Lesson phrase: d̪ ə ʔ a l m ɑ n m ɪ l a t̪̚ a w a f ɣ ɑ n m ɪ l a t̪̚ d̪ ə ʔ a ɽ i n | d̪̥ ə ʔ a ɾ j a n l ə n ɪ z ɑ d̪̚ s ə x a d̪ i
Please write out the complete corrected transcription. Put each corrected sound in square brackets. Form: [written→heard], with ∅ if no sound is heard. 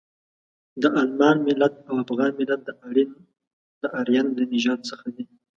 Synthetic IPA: d̪ ə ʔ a l m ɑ n m ɪ l a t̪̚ a w a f ɣ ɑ n m ɪ l a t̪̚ d̪ ə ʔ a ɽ i n | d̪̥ ə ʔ a ɾ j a n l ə n ɪ [z→ʒ] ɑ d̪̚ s ə x a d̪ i